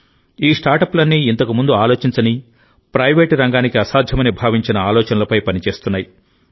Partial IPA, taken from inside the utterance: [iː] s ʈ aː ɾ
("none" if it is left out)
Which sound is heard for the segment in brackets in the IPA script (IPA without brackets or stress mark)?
iː